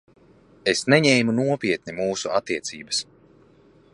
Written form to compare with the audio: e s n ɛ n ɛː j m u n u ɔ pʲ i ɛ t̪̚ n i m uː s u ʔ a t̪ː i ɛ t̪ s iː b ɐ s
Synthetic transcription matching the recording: e s n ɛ ɲ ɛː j m u n u ɔ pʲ i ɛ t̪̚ n i m uː s u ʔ a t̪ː i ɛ t̪ s iː b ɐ s